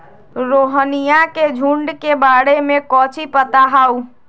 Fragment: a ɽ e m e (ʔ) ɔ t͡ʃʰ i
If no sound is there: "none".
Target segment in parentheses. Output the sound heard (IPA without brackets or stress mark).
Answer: k